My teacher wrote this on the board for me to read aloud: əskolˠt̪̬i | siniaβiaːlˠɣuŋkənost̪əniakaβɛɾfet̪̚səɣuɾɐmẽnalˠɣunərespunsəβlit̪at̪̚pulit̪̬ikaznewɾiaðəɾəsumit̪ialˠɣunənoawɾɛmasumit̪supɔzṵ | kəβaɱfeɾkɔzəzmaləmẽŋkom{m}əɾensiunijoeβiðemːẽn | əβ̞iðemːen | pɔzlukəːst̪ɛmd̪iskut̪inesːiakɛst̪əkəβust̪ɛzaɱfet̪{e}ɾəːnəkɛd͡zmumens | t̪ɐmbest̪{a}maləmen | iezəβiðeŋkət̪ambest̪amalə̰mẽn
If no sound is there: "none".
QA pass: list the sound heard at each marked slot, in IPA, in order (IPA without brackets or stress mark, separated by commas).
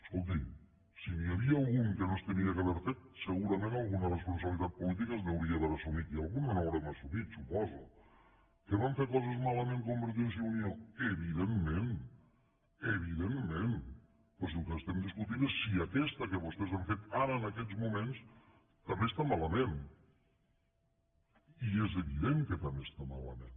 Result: b, a, a